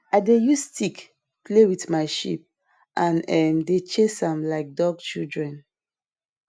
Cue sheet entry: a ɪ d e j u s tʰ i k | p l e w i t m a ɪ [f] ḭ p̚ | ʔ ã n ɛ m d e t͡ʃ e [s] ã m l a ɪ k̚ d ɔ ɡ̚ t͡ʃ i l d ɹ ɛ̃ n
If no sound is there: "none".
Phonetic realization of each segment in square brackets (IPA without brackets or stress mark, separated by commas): ʃ, s